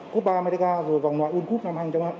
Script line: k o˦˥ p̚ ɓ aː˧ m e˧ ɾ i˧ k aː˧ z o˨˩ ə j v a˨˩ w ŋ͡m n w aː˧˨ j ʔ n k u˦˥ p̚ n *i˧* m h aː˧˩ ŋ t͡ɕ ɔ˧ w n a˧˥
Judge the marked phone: incorrect: a˧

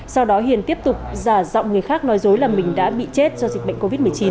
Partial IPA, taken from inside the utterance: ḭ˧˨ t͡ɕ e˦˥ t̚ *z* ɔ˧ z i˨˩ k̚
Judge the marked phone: correct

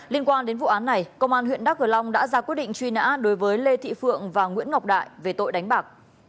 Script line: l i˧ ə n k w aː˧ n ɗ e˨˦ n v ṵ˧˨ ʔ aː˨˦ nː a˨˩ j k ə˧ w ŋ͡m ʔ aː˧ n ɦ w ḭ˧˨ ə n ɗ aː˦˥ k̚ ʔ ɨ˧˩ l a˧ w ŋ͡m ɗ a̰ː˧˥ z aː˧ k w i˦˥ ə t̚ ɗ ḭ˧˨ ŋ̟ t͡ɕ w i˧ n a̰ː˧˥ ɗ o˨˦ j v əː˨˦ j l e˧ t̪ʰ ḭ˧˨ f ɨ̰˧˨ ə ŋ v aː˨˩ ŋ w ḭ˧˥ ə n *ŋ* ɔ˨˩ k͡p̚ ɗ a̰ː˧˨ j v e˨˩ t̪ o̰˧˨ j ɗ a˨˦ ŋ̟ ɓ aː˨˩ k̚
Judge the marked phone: correct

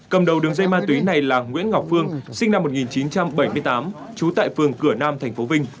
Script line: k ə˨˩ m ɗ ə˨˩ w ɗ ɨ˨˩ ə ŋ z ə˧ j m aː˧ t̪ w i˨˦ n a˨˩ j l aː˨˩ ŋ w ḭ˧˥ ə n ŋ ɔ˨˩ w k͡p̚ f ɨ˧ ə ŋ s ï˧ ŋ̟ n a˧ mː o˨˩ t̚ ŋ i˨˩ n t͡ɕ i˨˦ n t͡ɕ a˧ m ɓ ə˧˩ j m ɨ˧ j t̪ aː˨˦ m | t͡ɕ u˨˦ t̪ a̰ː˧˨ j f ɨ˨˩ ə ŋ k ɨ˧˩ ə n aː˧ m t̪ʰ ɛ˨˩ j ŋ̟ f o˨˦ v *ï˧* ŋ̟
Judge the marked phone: correct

